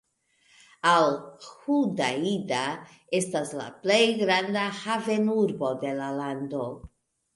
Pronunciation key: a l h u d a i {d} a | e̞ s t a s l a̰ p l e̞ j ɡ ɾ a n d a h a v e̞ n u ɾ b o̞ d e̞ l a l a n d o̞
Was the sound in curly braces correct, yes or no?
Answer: yes